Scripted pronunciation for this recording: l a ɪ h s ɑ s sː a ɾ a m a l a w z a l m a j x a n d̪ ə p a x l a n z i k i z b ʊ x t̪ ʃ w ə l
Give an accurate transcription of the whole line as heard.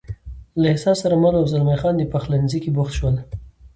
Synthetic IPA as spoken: l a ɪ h s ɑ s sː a ɾ a m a l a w z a l m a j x ɑ n d̪ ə p a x l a n z i k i b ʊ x t̪ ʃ w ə l